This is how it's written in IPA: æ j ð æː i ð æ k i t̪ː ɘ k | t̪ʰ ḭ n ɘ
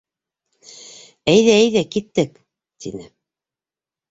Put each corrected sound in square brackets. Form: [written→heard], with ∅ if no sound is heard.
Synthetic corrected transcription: æ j ð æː [i→j] ð æ k i t̪ː ɘ k | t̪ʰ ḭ n ɘ